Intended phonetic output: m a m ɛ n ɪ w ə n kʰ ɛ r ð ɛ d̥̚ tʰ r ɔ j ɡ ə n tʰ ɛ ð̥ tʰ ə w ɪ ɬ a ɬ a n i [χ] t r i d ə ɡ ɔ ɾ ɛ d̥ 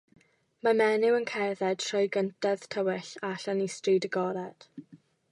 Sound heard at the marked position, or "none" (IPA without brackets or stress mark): s